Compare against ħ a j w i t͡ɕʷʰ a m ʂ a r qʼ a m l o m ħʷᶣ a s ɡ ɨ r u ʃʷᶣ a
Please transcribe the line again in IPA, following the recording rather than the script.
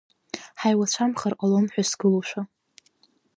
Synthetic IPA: ħ a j w a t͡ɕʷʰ a m χ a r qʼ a l o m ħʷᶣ a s ɡ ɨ l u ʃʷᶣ a